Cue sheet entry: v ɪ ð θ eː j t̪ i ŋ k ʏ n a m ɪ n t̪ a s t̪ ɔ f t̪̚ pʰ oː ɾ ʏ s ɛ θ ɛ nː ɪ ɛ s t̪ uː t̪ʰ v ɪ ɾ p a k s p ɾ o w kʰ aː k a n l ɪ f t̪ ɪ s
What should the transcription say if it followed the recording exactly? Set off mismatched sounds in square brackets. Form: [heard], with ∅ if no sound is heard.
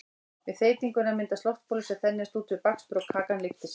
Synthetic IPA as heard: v ɪ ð θ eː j t̪ i ŋ k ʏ n a m ɪ n t̪ a s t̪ ɔ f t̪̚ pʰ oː [l] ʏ s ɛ θ ɛ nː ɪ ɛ s t̪ uː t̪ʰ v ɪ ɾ p a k s p ɾ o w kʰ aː k a n l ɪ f t̪ ɪ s